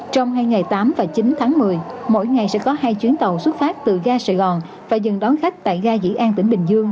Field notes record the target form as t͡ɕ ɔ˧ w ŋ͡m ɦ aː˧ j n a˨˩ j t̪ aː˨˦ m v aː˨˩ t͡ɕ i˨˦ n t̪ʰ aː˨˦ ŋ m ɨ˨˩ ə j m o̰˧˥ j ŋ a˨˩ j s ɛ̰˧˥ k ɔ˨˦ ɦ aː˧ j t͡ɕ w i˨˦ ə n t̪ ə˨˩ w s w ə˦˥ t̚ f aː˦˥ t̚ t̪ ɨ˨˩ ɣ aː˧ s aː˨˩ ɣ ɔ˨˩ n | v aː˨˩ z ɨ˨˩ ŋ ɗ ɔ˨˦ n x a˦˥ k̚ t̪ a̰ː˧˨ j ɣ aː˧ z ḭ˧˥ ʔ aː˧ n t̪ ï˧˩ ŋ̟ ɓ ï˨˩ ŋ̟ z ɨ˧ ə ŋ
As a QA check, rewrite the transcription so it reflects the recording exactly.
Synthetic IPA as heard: t͡ɕ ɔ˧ w ŋ͡m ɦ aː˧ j ŋ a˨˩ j t̪ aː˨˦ m v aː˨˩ t͡ɕ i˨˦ n t̪ʰ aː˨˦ ŋ m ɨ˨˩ ə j m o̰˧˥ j ŋ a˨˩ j s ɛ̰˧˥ k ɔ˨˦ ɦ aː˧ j t͡ɕ w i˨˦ ə n t̪ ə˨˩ w s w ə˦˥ t̚ f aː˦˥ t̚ t̪ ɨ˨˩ ɣ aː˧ s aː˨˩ ɣ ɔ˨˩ n | v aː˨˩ z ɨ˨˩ ŋ ɗ ɔ˨˦ n x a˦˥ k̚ t̪ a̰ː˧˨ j ɣ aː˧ z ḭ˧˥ ʔ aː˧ n t̪ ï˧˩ ŋ̟ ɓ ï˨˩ ŋ̟ z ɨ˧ ə ŋ